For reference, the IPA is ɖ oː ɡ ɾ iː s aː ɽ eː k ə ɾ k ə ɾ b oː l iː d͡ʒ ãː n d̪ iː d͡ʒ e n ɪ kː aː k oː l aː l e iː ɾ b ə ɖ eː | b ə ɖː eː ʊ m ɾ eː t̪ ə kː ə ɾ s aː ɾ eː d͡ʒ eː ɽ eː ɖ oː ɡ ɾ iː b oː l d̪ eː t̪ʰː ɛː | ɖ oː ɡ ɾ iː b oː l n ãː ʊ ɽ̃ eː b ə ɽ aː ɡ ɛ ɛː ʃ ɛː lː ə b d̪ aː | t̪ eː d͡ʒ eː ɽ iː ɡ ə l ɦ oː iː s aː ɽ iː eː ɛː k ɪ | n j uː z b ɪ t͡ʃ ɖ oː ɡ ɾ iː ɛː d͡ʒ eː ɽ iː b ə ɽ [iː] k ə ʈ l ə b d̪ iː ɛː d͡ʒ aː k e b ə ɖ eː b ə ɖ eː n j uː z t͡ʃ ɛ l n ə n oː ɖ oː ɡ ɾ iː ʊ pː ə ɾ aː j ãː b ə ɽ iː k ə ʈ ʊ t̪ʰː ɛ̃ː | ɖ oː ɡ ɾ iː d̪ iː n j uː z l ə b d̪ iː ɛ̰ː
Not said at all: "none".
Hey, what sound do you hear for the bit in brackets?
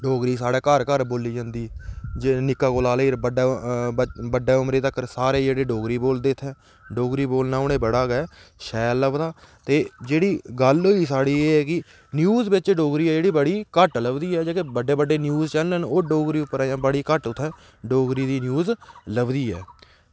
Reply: iː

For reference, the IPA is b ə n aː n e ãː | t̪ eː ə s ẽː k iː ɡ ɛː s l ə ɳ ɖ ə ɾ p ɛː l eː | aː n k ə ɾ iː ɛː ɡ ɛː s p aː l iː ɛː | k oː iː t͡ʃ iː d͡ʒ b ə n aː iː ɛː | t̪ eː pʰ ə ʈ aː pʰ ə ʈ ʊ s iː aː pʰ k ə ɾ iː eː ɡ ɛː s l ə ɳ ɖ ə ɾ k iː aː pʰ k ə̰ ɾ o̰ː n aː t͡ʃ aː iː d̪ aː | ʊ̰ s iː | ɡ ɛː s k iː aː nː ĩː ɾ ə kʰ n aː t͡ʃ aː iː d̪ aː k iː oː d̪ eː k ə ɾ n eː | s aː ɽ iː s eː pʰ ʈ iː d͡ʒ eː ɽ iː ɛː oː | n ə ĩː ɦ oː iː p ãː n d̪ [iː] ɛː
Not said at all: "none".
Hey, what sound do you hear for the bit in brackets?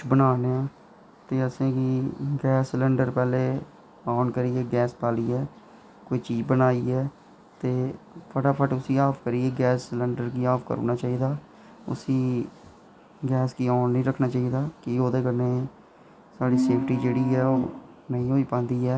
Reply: iː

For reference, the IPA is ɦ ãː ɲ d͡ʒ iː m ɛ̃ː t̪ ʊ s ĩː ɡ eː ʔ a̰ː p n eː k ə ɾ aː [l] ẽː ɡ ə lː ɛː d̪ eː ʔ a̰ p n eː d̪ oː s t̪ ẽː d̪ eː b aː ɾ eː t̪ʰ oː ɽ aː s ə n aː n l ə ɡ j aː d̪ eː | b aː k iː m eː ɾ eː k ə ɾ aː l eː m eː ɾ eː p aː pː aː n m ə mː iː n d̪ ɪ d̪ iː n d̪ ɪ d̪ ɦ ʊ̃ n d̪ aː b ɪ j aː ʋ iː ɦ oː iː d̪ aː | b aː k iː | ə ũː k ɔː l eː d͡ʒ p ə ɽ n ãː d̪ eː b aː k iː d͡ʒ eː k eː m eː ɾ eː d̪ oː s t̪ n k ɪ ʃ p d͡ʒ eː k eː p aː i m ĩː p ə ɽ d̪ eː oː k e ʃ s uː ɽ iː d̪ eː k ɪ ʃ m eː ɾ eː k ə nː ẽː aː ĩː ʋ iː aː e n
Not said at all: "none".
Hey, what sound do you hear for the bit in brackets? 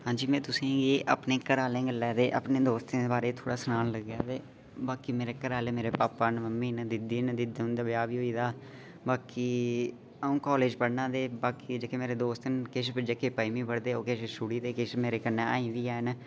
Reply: l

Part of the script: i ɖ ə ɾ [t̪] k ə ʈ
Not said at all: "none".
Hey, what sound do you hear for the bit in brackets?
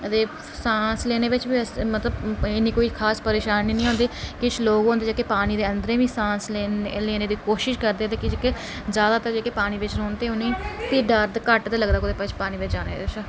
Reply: d̪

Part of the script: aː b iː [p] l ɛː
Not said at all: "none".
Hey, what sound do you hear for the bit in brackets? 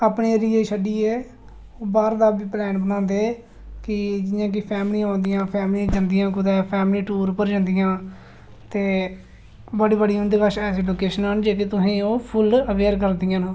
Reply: p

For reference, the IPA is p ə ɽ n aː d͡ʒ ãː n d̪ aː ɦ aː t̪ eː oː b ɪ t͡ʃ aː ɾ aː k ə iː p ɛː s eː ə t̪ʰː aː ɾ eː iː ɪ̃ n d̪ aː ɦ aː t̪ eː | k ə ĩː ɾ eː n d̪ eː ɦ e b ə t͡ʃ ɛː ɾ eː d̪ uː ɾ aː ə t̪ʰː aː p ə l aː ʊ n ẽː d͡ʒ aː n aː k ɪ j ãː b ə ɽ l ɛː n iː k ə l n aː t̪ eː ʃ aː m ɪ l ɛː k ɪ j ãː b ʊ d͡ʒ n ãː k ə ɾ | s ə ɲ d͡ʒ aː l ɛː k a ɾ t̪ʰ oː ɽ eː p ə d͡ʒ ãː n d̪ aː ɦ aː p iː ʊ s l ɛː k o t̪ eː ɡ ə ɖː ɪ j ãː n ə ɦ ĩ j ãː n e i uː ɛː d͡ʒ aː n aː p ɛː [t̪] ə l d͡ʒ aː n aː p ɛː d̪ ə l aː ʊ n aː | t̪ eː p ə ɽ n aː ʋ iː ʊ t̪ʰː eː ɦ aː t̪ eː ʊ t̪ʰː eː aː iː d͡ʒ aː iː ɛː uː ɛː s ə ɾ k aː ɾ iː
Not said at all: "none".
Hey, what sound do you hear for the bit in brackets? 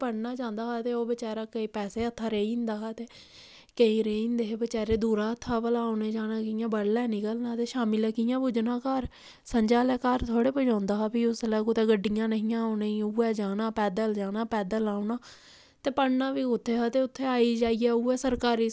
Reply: d̪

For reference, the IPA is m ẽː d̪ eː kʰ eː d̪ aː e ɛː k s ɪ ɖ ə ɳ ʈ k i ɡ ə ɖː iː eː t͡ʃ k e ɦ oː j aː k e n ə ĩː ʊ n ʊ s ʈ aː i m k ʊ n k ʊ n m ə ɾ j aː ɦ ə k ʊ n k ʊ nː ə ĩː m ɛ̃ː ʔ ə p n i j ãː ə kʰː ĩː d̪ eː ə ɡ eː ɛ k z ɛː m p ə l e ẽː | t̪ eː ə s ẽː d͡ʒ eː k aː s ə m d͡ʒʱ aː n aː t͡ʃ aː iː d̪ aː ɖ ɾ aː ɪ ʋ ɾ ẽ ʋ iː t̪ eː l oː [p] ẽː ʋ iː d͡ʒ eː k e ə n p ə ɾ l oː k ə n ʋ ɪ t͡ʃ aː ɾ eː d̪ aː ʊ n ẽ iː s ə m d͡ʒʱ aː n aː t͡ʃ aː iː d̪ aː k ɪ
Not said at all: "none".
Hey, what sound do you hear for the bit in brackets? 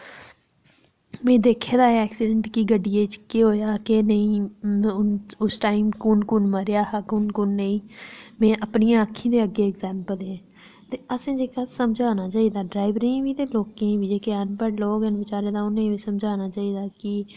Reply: k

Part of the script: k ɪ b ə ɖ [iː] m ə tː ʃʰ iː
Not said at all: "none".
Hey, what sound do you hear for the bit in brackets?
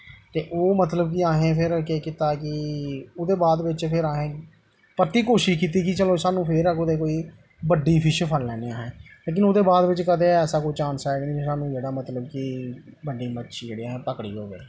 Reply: iː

